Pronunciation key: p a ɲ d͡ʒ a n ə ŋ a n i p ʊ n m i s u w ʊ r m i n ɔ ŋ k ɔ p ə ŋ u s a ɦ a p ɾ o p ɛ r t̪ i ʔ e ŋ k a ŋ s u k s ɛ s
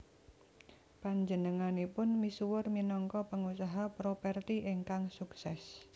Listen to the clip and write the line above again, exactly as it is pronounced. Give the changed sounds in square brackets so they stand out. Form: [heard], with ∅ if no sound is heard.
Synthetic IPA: p a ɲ d͡ʒ [ə] n ə ŋ a n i p ʊ n m i s u w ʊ r m i n ɔ ŋ k ɔ p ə ŋ u s a ɦ a p ɾ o p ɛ r t̪ i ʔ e ŋ k a ŋ s u k s ɛ s